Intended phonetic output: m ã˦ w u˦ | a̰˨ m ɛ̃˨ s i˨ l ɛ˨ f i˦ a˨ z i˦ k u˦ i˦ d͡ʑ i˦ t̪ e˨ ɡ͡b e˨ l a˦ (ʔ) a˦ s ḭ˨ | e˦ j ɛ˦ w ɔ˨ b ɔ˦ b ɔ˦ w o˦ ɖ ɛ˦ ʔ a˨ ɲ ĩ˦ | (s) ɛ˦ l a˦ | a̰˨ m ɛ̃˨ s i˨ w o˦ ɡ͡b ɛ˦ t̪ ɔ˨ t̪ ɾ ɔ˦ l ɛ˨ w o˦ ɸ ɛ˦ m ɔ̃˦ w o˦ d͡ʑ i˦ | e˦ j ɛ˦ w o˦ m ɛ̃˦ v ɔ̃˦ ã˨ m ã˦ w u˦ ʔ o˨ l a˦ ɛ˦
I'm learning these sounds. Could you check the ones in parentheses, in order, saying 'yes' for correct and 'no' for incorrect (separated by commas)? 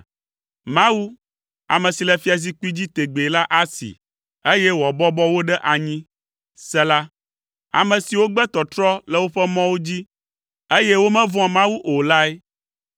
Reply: yes, yes